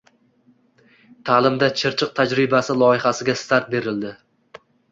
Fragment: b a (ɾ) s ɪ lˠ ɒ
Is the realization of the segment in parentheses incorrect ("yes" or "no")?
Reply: yes